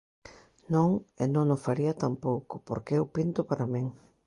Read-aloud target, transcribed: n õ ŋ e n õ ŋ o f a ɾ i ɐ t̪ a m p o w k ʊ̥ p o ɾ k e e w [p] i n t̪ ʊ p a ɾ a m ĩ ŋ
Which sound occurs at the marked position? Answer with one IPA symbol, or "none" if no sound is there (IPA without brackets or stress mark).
p